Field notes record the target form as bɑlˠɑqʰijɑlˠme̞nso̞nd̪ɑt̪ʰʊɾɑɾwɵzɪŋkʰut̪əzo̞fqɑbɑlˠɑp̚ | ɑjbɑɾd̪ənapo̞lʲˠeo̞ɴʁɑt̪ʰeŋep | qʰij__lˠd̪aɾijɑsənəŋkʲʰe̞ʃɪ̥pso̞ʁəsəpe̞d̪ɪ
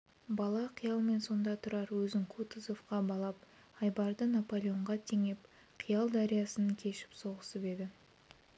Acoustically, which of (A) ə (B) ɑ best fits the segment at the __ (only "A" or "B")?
B